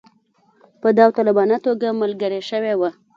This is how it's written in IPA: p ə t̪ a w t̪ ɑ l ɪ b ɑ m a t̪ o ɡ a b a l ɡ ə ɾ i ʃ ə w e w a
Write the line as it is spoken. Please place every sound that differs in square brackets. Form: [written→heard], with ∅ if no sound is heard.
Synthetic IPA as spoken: p ə [t̪→d̪] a w t̪ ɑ l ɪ b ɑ [m→n] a t̪ o ɡ a [b→m] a l ɡ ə ɾ [i→e] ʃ ə w e w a